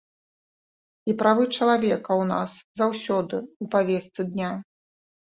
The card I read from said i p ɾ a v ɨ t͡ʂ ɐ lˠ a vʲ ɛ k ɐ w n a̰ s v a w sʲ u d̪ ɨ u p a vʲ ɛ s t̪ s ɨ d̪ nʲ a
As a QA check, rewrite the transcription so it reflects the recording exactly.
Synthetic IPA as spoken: i p ɾ a v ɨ t͡ʂ ɐ lˠ a vʲ ɛ k ɐ w n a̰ s z a w sʲ ɔ d̪ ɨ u p a vʲ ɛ s t̪ s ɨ d̪ nʲ a